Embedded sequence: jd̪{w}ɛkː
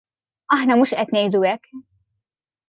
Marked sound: incorrect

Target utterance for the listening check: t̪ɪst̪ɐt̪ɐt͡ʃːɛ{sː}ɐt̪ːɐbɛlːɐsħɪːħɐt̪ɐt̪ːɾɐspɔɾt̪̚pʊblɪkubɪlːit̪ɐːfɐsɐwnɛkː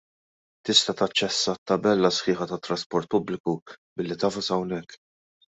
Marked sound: correct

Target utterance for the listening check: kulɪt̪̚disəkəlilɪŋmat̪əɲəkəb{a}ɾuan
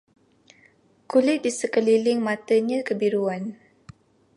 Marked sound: incorrect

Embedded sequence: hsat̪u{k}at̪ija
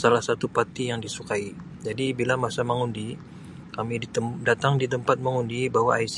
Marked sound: incorrect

